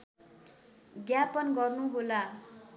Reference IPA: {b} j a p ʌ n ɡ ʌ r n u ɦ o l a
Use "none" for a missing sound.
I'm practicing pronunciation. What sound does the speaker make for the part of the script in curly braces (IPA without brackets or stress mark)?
ɡ